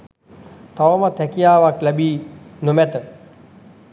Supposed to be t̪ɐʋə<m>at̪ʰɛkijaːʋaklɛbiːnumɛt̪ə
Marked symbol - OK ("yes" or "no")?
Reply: yes